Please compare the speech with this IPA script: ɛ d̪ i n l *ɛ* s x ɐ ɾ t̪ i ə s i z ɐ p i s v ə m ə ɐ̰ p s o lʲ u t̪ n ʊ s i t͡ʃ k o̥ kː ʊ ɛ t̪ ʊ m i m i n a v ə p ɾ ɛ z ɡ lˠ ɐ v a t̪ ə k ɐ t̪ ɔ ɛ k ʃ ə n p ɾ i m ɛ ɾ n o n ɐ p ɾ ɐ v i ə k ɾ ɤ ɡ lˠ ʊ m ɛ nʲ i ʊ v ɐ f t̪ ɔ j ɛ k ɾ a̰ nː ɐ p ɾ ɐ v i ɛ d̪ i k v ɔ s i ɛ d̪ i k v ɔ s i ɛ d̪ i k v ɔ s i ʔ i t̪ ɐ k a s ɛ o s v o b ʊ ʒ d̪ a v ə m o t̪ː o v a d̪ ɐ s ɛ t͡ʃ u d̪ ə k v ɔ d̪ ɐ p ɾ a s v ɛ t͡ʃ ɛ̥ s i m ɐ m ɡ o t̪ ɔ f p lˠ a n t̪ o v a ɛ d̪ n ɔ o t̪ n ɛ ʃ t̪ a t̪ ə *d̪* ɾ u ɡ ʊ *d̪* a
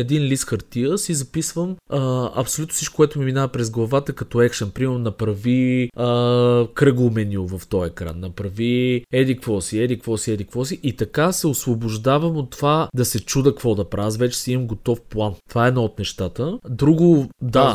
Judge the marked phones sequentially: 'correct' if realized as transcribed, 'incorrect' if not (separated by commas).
incorrect, correct, correct